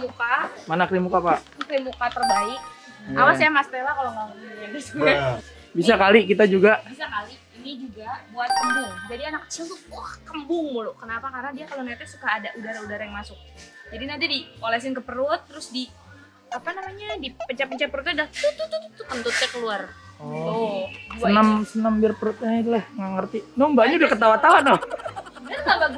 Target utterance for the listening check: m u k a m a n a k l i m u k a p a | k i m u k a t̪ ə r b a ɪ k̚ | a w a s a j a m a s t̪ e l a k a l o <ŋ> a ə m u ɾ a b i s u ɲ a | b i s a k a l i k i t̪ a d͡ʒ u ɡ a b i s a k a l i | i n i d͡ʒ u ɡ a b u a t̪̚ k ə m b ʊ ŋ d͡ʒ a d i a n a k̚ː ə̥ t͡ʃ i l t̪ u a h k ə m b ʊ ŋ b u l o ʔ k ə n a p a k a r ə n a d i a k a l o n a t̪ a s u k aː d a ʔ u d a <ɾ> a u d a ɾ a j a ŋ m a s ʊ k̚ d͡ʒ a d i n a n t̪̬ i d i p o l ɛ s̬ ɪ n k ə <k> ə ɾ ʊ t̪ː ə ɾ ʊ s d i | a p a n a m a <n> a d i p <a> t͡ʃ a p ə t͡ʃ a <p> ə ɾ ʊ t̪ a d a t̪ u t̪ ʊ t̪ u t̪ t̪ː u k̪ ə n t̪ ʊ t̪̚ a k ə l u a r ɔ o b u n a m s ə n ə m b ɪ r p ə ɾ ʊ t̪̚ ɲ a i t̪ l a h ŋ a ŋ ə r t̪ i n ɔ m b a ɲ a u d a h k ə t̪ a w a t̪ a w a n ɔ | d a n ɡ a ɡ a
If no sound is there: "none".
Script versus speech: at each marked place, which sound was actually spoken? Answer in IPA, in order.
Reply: ŋ, ɾ, p, ɲ, ə, p

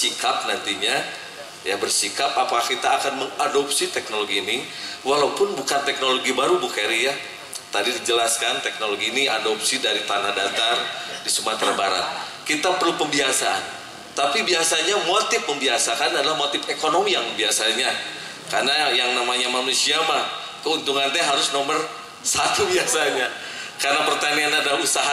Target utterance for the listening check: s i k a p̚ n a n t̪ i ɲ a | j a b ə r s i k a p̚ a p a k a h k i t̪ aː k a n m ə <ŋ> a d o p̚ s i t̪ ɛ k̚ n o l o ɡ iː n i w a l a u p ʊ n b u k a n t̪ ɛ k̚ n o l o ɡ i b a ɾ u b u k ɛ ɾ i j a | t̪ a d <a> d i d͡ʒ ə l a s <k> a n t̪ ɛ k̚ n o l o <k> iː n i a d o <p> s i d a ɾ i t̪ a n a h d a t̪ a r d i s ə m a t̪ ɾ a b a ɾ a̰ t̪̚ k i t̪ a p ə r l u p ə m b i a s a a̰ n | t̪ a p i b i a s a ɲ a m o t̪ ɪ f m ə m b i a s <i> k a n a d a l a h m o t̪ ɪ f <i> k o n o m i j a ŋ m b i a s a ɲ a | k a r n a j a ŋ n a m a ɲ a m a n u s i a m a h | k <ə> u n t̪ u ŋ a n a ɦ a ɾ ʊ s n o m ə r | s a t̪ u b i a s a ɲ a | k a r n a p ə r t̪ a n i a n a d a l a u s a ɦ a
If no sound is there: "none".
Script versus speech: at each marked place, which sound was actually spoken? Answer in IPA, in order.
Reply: ŋ, i, k, ɡ, p, a, e, ə

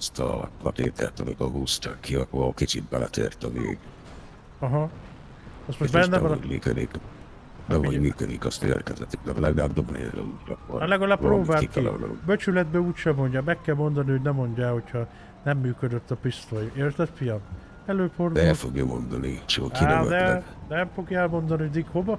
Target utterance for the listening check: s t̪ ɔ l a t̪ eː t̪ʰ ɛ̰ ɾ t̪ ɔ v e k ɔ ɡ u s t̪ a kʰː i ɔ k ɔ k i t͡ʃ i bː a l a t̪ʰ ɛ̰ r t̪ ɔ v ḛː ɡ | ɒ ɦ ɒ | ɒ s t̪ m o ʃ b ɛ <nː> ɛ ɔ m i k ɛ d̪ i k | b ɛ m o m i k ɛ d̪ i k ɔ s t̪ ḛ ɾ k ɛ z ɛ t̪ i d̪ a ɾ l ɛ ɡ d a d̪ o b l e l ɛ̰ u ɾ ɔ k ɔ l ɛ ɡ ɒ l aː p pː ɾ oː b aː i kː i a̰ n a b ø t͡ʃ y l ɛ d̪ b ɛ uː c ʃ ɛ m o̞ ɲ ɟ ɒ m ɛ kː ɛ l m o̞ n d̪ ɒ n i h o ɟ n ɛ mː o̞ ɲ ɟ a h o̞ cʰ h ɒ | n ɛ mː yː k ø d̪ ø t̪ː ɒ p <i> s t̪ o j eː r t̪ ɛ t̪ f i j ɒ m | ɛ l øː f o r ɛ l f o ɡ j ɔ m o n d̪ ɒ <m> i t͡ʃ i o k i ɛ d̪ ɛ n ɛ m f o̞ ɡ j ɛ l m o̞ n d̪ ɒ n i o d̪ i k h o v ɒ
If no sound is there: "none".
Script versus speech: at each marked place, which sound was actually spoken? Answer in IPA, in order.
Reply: nː, i, n

